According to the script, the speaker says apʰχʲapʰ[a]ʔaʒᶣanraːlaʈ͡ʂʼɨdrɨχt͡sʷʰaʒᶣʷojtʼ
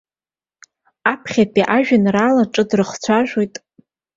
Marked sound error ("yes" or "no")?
yes